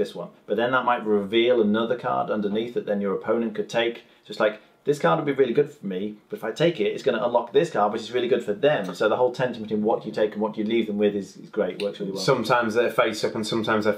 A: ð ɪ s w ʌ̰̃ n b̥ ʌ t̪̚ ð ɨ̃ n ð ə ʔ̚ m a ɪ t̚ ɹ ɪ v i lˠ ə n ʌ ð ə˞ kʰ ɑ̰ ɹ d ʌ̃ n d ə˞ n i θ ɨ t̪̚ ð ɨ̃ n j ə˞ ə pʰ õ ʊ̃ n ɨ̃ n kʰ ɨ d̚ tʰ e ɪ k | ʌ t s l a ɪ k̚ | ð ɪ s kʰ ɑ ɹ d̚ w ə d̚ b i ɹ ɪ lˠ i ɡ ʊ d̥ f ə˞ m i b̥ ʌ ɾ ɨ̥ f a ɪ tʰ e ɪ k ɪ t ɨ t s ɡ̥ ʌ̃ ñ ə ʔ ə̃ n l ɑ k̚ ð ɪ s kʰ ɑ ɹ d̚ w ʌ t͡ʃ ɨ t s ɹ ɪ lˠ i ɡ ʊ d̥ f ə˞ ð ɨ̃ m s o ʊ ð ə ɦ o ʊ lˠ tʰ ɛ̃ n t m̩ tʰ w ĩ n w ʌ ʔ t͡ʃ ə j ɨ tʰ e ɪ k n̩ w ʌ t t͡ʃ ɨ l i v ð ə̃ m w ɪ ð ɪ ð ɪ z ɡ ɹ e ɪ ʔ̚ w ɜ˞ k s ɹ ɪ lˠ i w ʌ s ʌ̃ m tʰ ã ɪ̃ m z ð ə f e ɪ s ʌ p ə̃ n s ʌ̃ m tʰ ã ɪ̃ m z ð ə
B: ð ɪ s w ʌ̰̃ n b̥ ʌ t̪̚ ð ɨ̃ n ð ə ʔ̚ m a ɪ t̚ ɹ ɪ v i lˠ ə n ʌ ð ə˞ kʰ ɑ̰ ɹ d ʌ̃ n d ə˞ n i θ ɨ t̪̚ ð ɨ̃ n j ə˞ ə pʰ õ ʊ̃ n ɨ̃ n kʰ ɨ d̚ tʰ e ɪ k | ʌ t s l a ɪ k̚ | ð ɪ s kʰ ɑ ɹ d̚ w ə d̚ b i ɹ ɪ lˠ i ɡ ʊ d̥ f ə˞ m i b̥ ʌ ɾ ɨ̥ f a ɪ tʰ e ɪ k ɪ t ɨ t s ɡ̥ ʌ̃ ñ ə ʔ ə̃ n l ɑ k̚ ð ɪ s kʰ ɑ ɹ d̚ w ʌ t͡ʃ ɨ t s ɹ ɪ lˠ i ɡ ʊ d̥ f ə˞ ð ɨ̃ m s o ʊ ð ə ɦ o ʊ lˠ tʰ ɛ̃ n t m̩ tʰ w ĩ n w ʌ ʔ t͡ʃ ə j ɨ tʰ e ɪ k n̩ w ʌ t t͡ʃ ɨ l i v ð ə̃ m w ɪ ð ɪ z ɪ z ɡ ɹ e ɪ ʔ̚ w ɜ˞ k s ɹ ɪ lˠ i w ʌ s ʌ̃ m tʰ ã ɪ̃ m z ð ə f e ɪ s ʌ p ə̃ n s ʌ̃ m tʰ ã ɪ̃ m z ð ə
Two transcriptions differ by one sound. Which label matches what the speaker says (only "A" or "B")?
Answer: B